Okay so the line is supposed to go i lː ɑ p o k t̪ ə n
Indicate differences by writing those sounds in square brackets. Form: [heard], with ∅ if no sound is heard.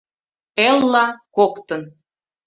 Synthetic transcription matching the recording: [e] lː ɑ [k] o k t̪ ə n

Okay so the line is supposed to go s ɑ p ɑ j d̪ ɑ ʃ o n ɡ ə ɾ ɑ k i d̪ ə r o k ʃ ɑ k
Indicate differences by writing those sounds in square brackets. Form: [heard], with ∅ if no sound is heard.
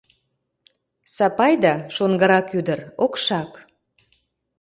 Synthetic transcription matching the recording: s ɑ p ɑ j d̪ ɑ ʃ o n ɡ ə ɾ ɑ k [y] d̪ ə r o k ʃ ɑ k

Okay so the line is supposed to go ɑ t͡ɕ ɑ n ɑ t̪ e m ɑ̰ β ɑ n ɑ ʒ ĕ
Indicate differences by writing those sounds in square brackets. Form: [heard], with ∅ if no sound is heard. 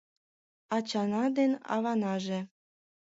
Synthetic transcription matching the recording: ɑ t͡ɕ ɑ n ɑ [d̪] e [n] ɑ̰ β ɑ n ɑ ʒ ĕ

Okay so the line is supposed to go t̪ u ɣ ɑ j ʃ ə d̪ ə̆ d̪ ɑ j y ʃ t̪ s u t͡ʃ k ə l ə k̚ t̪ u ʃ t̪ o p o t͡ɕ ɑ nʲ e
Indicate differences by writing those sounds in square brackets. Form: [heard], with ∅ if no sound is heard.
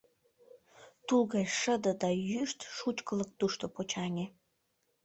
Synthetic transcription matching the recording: t̪ u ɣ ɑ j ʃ ə d̪ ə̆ d̪ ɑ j y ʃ t̪ [ʃ] u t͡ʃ k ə l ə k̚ t̪ u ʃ t̪ o p o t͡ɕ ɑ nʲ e

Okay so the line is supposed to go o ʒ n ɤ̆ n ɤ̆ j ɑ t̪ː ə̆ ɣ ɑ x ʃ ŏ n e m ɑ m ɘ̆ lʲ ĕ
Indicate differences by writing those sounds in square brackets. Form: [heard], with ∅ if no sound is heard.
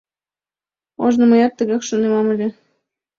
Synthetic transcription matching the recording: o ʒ n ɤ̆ [m] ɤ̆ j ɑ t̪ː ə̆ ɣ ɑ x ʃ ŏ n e m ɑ m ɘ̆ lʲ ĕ

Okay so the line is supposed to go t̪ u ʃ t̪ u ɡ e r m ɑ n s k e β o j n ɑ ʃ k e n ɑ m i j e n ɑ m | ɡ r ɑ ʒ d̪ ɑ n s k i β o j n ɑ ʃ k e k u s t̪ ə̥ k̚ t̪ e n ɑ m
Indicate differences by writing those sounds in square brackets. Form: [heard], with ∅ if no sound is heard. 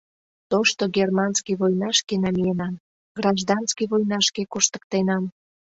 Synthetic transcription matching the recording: t̪ [o] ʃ t̪ [o] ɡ e r m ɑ n s k [i] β o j n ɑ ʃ k e n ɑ m i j e n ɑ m | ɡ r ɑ ʒ d̪ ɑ n s k i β o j n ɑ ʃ k e k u [ʃ] t̪ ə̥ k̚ t̪ e n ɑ m

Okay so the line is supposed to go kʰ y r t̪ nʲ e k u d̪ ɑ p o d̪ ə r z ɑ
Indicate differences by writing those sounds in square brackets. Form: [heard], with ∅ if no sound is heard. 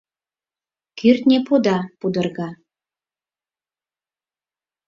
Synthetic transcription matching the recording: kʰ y r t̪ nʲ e [p] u d̪ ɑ p [u] d̪ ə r [ɣ] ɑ

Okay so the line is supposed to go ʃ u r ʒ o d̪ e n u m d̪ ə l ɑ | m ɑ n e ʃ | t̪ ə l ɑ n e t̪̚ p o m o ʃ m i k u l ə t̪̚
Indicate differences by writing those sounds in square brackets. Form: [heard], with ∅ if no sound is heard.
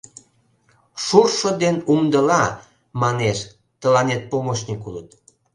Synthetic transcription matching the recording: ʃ u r [ʃ] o d̪ e n u m d̪ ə l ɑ | m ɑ n e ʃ | t̪ ə l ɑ n e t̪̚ p o m o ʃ [n] i k u l ə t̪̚

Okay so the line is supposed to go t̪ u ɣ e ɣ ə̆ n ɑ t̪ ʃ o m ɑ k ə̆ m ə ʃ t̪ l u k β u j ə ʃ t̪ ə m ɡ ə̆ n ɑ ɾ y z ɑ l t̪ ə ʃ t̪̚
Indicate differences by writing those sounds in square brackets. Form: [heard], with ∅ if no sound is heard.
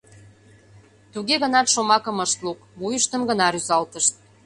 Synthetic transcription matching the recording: t̪ u ɣ e ɣ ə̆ n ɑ t̪ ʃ o m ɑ k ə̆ m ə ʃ t̪ l u k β u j ə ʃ t̪ ə m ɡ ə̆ n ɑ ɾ y z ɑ l t̪ ə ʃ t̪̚

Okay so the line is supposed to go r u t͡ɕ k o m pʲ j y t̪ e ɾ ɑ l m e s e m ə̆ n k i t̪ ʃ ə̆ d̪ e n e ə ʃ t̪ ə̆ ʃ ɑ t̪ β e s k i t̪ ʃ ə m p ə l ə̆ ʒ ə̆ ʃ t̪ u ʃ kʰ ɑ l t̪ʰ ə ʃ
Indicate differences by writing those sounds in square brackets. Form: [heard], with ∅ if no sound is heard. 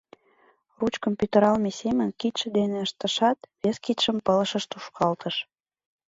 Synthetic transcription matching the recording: r u t͡ɕ k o m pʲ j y t̪ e ɾ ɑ l m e s e m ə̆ n k i t̪ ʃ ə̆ d̪ e n e ə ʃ t̪ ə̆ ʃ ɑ t̪ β e s k i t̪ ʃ ə m p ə l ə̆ [ʃ] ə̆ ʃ t̪ u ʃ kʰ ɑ l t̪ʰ ə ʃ

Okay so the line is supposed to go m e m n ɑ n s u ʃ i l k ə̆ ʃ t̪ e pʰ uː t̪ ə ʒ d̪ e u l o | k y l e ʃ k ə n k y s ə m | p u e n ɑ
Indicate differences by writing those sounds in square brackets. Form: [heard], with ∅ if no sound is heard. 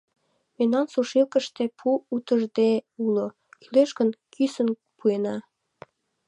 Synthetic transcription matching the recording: m e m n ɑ n s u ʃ i l k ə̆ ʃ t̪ e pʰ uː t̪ ə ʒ d̪ e u l o | k y l e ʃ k ə n k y s ə [n] | p u e n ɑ

